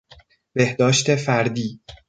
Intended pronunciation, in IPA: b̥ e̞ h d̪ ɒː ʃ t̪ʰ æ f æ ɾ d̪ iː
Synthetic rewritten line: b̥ e̞ h d̪ ɒː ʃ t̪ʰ e f æ ɾ d̪ iː